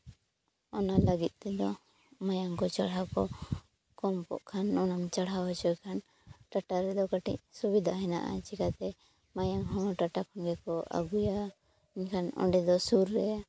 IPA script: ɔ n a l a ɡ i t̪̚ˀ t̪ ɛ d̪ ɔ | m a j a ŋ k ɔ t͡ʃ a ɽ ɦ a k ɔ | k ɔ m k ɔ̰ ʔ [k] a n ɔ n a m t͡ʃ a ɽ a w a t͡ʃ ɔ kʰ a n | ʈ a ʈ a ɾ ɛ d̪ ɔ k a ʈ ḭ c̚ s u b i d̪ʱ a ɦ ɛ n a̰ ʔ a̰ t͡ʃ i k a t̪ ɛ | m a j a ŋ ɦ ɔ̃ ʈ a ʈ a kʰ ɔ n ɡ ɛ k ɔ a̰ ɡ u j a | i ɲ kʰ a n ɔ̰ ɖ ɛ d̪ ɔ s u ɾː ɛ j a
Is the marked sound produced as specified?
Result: no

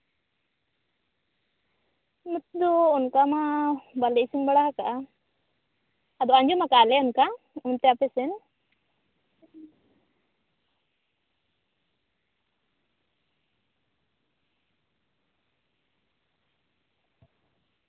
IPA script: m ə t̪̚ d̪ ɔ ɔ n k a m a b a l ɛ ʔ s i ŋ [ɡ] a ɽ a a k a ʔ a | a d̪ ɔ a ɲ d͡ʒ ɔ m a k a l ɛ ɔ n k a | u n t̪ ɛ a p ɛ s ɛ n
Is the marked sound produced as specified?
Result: no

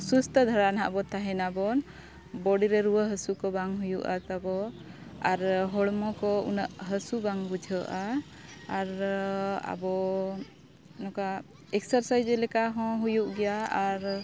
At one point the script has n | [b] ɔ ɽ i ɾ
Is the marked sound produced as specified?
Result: yes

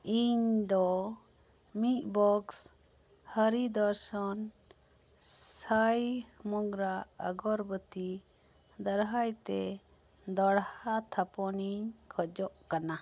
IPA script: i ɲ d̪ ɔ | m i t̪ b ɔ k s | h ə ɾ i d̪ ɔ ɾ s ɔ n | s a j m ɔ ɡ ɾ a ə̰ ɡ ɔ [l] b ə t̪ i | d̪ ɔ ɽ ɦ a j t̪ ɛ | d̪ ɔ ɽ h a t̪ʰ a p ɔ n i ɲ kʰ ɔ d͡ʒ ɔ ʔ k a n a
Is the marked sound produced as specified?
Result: no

